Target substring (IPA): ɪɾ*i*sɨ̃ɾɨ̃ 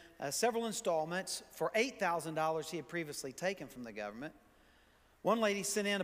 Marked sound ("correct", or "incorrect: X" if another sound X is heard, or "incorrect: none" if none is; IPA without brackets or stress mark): correct